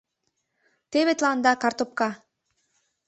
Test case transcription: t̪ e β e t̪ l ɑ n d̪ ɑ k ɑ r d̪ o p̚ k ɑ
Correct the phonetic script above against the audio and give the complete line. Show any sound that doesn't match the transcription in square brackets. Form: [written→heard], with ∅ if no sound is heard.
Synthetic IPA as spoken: t̪ e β e t̪ l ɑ n d̪ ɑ k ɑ r [d̪→t̪] o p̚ k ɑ